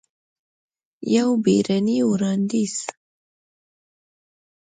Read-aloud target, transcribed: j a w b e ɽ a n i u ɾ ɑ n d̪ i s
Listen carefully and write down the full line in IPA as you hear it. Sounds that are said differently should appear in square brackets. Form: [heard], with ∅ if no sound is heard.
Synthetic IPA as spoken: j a w b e [ɾ] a n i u ɾ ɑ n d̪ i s